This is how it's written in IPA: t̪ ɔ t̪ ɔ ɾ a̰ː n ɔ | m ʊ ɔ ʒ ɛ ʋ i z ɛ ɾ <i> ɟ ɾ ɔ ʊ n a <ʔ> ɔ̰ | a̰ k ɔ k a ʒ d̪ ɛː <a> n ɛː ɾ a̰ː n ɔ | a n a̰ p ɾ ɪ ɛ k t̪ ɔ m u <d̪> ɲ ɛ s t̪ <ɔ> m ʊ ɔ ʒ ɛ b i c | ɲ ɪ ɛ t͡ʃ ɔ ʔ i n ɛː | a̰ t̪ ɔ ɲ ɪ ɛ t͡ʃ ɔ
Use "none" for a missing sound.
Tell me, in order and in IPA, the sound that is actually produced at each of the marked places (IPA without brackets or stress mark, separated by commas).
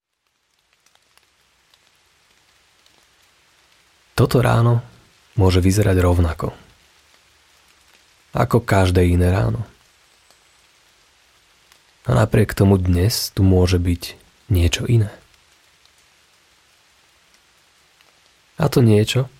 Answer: a, k, i, d̪, u